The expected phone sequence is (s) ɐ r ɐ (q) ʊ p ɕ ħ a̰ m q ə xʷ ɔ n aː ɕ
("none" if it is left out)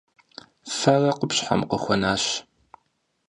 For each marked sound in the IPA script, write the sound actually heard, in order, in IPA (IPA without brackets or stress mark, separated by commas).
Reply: f, q